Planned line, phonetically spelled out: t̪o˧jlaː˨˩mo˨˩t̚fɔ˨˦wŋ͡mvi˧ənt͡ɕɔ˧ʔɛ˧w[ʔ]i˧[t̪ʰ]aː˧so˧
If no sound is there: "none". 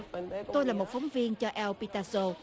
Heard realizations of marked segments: p, t̪

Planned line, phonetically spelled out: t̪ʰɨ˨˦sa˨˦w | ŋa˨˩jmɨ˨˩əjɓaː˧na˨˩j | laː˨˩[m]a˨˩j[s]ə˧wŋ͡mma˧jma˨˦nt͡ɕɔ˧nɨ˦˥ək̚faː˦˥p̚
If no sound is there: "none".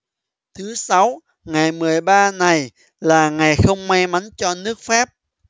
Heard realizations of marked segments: ŋ, x

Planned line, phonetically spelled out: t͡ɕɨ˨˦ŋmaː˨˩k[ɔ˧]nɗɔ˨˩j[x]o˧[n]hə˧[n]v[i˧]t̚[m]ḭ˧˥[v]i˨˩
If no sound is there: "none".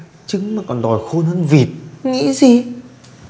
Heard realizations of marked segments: ɔ˨˩, x, n, n, i˨˩, ŋ, z

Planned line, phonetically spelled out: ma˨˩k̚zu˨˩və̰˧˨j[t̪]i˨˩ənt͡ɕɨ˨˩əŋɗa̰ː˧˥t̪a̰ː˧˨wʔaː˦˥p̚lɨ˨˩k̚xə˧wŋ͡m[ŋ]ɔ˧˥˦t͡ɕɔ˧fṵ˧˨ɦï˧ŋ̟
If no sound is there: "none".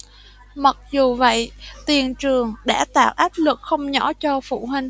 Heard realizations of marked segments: t̪, ɲ

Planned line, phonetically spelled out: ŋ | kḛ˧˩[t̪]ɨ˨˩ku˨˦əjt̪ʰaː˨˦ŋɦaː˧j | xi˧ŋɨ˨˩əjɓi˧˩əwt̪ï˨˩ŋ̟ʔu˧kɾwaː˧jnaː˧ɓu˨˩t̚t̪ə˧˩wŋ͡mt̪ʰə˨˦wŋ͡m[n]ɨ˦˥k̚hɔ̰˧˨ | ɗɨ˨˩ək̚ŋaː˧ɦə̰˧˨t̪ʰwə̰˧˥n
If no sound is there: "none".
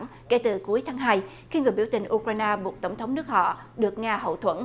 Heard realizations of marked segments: t̪, n

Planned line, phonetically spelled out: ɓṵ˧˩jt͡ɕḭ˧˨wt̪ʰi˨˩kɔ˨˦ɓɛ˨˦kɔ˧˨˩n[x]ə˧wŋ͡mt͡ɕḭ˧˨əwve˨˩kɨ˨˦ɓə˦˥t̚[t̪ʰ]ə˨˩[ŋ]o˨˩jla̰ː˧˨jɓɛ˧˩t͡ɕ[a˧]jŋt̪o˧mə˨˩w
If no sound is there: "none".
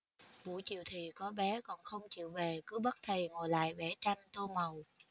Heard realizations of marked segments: x, t̪ʰ, ŋ, a˧

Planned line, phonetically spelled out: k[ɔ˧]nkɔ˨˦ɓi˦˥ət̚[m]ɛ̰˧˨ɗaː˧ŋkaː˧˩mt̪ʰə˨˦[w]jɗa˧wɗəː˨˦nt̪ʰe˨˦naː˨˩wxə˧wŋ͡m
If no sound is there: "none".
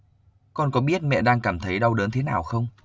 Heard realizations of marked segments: ɔ˧, m, none

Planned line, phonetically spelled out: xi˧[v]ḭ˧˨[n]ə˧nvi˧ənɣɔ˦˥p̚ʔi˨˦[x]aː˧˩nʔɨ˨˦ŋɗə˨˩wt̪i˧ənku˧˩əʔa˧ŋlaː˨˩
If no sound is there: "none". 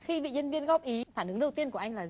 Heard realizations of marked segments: v, ɲ, f

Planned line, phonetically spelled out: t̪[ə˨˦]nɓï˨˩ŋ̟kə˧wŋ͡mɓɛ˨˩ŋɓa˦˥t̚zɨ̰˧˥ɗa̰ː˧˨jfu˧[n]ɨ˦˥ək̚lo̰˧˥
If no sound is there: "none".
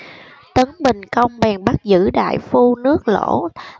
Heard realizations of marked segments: ə˨˦, n

